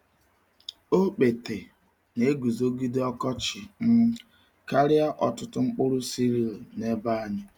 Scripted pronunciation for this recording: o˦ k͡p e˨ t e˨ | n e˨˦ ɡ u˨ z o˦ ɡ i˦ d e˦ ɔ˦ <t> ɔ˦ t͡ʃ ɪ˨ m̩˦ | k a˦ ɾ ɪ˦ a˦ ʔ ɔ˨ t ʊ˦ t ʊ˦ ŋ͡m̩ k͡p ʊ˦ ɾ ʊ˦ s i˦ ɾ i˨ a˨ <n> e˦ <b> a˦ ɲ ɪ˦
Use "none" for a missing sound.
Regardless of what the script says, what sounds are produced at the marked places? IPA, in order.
k, n, b

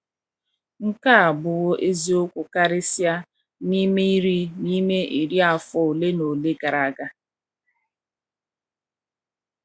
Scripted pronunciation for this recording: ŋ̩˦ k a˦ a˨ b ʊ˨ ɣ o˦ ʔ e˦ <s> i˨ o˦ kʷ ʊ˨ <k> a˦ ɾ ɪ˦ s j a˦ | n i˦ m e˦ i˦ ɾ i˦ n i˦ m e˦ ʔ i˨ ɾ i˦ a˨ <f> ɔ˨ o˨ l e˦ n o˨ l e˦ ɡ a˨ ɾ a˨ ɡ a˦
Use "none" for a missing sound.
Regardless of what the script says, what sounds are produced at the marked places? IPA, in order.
z, k, f

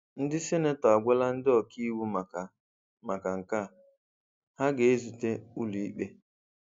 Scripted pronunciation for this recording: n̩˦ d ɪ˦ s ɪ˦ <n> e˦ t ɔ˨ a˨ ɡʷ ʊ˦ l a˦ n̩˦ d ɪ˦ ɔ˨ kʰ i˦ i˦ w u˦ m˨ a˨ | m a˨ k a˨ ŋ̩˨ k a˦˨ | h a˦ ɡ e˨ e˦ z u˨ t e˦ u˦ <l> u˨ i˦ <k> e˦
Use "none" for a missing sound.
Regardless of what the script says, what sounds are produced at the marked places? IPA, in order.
n, l, k͡p

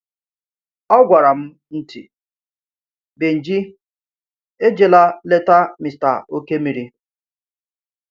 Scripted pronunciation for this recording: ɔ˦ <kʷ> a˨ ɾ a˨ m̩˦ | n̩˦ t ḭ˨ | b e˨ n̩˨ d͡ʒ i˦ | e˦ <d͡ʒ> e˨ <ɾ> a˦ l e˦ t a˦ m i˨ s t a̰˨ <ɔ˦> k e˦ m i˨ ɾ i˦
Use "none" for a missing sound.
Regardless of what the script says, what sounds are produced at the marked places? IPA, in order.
ɡʷ, d͡ʒ, l, o˦

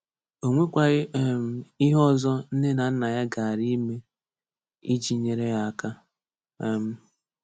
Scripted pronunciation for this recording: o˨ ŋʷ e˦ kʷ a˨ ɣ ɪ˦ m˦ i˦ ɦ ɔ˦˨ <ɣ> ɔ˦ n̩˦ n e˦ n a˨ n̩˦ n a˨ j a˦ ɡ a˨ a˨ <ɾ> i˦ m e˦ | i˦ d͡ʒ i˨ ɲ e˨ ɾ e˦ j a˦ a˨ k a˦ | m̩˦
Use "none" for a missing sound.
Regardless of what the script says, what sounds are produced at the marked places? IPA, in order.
z, ɾ

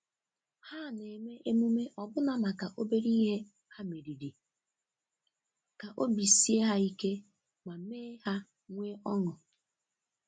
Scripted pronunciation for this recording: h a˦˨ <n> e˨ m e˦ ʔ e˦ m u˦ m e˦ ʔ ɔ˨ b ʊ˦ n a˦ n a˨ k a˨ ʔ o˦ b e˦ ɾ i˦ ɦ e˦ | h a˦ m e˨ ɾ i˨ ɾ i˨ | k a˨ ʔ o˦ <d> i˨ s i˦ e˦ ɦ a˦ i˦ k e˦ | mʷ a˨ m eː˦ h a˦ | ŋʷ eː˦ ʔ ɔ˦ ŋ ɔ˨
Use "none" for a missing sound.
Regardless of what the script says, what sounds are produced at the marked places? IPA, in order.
n, b

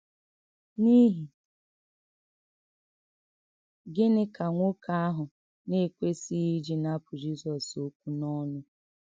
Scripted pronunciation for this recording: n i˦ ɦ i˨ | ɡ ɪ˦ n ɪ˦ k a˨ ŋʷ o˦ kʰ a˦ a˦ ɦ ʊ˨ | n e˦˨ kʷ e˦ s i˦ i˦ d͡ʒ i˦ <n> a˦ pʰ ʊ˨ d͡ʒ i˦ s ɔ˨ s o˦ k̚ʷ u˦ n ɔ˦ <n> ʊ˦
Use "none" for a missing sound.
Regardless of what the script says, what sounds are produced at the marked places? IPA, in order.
n, n

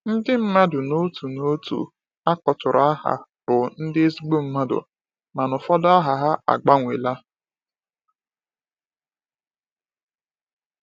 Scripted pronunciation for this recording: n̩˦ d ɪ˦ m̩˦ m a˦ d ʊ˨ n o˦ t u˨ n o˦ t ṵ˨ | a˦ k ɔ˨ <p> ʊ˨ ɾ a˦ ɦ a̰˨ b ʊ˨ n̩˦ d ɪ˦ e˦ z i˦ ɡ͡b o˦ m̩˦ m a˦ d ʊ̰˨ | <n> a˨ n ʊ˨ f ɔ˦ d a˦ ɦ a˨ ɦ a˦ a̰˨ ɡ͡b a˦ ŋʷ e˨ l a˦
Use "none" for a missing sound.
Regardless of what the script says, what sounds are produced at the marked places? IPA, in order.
t, m

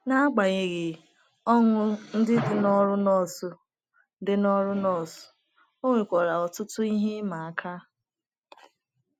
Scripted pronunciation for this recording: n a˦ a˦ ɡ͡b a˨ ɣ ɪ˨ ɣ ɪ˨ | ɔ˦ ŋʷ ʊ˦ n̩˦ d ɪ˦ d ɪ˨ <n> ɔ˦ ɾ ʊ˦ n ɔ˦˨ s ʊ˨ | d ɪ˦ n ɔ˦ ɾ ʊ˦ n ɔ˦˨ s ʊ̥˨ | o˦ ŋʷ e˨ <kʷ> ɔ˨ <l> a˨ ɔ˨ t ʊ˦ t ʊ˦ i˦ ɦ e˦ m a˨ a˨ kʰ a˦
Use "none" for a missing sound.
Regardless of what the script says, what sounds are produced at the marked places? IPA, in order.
n, kʷ, ɾ

